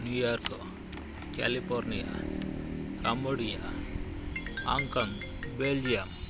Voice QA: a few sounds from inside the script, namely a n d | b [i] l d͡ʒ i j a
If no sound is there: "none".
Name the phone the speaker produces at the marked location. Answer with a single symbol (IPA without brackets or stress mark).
e